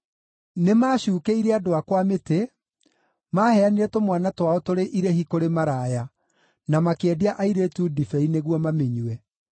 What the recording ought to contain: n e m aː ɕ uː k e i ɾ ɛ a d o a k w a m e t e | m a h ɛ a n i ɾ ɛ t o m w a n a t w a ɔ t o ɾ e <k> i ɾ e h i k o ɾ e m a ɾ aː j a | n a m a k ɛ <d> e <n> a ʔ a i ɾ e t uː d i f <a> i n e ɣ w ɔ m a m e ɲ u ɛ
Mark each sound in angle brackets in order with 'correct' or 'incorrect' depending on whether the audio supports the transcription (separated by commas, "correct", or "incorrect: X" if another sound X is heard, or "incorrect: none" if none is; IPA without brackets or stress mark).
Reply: incorrect: ʔ, correct, incorrect: none, incorrect: ɛ